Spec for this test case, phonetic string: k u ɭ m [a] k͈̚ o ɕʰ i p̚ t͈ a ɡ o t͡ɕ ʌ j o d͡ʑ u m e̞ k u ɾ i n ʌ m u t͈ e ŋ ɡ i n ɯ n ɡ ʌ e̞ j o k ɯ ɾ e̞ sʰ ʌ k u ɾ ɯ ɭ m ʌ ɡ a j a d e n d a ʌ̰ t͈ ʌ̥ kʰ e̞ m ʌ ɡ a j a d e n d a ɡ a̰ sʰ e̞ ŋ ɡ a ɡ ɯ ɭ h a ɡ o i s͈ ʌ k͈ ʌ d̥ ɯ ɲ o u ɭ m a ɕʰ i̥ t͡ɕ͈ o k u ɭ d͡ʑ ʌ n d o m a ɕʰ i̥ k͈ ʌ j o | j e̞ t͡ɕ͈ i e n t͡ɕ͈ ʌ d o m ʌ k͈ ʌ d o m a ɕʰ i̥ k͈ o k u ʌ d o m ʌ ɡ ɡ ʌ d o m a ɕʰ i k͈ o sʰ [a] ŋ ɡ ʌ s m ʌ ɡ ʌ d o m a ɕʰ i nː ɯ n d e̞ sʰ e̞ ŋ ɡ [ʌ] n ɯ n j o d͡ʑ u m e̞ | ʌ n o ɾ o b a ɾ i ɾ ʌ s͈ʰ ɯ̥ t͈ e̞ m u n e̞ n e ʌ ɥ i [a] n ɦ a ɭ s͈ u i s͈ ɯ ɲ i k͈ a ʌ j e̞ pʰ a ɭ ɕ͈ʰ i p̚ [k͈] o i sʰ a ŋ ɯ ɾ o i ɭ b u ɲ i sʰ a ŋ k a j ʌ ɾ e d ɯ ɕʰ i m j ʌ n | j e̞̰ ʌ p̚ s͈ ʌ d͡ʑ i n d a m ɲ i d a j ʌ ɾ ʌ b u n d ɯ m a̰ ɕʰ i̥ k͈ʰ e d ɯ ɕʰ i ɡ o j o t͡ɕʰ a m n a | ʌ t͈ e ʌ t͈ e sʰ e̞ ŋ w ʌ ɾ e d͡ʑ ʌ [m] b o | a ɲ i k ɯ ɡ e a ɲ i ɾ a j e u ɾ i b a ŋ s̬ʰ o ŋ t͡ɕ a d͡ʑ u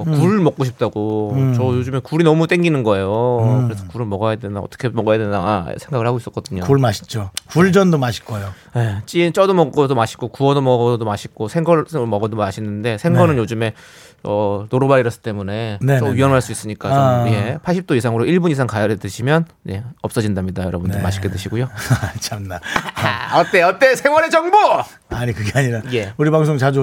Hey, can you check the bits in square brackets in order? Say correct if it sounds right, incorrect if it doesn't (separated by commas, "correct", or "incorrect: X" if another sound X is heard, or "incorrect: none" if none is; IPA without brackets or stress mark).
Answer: incorrect: ʌ, incorrect: e, correct, incorrect: ʌ, incorrect: t͈, incorrect: ŋ